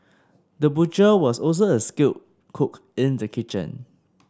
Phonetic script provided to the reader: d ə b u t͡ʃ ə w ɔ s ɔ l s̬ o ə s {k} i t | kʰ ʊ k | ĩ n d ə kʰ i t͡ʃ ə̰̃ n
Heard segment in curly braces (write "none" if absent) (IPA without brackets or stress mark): k